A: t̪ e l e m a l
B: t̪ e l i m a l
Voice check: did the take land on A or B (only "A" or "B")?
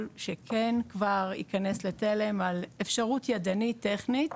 A